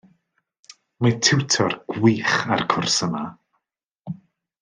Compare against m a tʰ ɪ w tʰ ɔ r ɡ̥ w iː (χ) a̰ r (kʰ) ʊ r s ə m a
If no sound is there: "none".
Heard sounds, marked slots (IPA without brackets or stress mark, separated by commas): χ, kʰ